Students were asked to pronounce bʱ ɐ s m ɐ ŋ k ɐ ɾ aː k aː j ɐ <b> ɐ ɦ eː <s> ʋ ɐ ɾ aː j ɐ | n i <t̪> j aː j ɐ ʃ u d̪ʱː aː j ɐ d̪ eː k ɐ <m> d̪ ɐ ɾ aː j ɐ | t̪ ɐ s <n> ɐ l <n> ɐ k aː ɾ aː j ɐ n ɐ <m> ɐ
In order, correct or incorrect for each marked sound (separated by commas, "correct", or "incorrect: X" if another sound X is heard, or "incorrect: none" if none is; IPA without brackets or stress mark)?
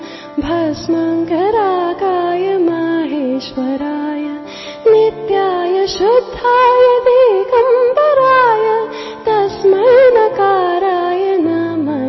incorrect: m, incorrect: ʃ, correct, correct, incorrect: m, correct, correct